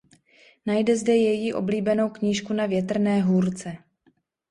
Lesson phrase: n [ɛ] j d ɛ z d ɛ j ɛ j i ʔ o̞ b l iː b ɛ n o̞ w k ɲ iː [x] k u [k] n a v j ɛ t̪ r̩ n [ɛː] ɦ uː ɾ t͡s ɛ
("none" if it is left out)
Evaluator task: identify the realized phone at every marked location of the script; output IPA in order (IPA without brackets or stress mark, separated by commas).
a, ʃ, none, ɛː